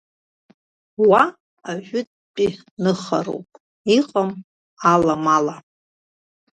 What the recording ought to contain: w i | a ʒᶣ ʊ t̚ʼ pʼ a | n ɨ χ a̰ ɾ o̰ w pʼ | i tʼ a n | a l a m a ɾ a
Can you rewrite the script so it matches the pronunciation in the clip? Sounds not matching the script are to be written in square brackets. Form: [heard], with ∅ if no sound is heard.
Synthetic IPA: w [a] | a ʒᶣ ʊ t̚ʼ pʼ [i] | n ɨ χ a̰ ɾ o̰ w pʼ | i [qʼ] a [m] | a l a m a [l] a